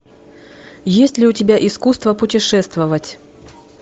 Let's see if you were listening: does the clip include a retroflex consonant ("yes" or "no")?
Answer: yes